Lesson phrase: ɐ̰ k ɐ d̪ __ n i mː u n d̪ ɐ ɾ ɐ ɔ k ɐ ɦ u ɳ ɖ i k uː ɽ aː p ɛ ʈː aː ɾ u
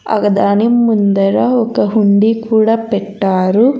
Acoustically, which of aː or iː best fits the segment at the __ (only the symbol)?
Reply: aː